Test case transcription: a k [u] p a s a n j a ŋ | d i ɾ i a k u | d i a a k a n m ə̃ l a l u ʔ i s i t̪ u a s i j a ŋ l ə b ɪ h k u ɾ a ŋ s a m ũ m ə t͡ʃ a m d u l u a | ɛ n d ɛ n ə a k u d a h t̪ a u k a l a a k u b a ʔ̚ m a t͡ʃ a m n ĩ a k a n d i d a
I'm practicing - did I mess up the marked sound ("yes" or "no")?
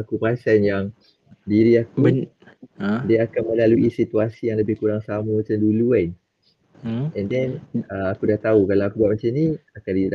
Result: no